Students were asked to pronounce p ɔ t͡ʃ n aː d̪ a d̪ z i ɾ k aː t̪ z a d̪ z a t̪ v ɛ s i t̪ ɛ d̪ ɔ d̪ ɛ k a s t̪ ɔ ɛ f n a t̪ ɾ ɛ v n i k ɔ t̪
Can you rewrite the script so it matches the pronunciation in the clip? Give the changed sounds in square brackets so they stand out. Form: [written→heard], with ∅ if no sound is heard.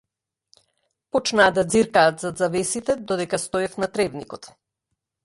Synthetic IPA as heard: p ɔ t͡ʃ n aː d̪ a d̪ z i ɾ k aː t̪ z a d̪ z a [t̪→∅] v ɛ s i t̪ ɛ d̪ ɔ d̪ ɛ k a s t̪ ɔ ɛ f n a t̪ ɾ ɛ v n i k ɔ t̪